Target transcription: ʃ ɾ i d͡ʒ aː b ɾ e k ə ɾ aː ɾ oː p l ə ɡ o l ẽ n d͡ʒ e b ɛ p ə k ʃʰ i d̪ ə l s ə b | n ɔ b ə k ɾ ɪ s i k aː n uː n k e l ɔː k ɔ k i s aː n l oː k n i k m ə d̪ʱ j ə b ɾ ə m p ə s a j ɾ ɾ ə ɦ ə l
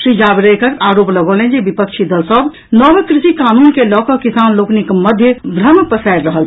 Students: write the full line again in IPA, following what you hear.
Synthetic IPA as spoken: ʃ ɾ i d͡ʒ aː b ɾ e k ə ɾ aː ɾ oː p l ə ɡ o l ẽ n d͡ʒ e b i p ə k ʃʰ i d̪ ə l s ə b | n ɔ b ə k ɾ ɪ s i k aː n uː n k e l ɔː k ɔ k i s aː n l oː k n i k m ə d̪ʱ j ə b ɾ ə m p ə s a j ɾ ɾ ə ɦ ə l

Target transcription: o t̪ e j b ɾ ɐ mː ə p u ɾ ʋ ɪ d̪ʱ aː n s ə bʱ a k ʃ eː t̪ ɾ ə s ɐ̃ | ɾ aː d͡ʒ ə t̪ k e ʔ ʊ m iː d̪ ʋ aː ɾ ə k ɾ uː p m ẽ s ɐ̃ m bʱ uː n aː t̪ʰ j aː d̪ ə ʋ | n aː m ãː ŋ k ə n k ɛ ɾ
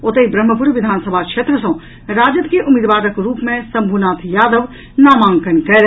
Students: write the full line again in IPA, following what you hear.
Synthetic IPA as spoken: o t̪ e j b ɾ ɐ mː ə p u ɾ ʋ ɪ d̪ʱ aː n s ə bʱ a k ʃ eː t̪ ɾ ə s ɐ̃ | ɾ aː d͡ʒ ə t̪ k e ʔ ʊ m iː d̪ ʋ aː ɾ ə k ɾ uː p m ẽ s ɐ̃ m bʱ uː n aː t̪ʰ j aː d̪ ə ʋ | n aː m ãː ŋ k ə n k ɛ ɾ

